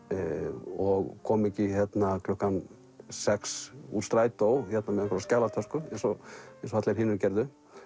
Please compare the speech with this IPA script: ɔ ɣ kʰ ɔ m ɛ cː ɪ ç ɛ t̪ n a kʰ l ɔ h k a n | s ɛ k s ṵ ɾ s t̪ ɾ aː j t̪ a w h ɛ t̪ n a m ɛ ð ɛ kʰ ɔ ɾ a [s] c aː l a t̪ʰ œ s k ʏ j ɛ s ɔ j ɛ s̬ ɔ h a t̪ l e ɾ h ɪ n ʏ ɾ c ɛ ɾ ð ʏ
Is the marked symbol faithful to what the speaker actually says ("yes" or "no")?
yes